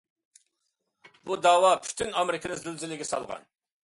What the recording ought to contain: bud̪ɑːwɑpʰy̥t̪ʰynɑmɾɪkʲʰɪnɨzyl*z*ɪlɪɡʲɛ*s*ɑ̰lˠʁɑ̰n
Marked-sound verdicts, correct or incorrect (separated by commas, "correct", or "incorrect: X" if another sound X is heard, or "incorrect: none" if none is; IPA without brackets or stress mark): correct, correct